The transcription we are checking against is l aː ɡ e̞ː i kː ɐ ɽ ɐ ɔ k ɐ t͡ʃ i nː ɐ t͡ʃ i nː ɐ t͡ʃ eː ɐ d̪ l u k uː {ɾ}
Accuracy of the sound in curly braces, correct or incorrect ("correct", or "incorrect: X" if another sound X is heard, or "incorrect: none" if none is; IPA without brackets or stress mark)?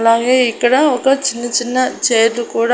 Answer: incorrect: ɽ